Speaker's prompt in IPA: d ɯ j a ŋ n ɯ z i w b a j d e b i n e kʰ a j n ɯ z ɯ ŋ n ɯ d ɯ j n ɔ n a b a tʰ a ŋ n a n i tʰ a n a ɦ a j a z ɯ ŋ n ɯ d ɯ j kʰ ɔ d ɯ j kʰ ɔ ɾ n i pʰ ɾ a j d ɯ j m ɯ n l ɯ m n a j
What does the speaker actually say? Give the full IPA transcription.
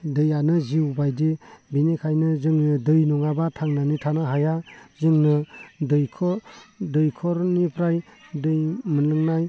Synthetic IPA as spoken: d ɯ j a n ɯ z i w b a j d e b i n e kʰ a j n ɯ z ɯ ŋ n ɯ d ɯ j n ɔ ŋ a b a tʰ a ŋ n a n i tʰ a n a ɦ a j a z ɯ ŋ n ɯ d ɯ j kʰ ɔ d ɯ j kʰ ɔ ɾ n i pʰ ɾ a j d ɯ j m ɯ n l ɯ ŋ n a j